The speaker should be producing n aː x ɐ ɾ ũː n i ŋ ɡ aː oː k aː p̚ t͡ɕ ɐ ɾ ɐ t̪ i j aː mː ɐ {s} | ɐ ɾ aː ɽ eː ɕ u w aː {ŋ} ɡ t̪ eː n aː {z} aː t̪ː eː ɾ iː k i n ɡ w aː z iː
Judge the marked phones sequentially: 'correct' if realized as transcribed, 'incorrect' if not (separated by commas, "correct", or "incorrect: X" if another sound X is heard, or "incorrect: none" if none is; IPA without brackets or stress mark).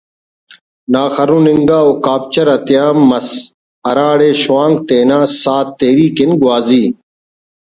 correct, correct, incorrect: s